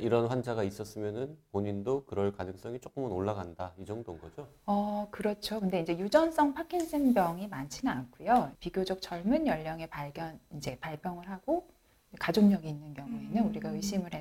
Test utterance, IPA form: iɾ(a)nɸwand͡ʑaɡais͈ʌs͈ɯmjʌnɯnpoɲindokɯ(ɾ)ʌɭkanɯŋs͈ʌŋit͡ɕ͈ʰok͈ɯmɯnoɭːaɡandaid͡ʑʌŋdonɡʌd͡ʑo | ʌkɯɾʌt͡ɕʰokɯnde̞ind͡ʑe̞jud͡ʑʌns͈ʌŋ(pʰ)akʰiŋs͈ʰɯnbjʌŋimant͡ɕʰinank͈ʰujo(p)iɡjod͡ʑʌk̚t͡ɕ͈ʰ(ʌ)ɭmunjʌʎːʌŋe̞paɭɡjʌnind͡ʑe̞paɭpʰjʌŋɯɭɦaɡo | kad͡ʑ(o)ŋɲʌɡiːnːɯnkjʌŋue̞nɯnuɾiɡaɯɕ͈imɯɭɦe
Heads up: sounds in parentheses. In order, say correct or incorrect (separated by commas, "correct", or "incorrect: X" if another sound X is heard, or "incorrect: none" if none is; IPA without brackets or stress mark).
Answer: incorrect: ʌ, correct, correct, correct, correct, correct